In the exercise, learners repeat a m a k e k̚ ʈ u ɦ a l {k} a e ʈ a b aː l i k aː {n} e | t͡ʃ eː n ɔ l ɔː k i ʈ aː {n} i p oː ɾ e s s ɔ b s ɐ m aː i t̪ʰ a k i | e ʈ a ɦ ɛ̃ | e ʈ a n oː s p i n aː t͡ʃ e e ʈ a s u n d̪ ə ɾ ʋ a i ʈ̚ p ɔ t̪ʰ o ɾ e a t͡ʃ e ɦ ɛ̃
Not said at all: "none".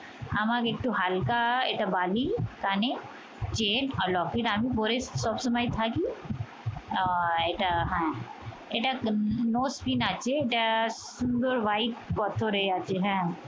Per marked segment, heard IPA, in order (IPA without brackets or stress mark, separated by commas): k, n, m